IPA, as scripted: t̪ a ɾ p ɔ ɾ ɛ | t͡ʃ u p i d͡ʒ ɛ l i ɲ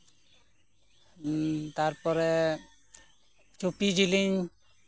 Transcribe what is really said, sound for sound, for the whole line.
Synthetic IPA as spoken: t̪ a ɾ p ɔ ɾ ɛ | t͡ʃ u p i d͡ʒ i l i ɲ